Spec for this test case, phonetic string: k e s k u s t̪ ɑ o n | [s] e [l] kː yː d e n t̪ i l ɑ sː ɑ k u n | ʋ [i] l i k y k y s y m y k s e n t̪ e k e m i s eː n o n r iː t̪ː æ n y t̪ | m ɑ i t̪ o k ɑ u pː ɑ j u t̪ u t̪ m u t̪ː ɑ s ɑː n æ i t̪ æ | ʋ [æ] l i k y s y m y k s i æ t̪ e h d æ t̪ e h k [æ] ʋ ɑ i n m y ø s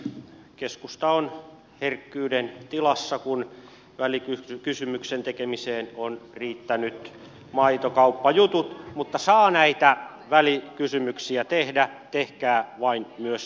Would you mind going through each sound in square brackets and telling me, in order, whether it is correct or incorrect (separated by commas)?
incorrect, incorrect, incorrect, correct, incorrect